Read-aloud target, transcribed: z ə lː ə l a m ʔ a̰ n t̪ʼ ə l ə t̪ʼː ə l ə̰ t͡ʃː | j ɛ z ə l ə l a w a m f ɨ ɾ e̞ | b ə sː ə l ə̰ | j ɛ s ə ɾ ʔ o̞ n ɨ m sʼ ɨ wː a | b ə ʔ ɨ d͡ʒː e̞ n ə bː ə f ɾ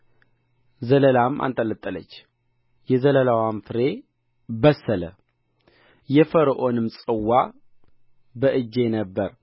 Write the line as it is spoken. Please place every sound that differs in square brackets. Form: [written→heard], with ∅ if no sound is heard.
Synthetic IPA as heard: z ə [lː→l] ə l a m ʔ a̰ n t̪ʼ ə l ə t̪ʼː ə l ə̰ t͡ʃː | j ɛ z ə l ə l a w a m f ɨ ɾ e̞ | b ə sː ə l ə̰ | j ɛ [s→f] ə ɾ ʔ o̞ n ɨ m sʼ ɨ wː a | b ə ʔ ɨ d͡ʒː e̞ n ə bː ə [f→∅] ɾ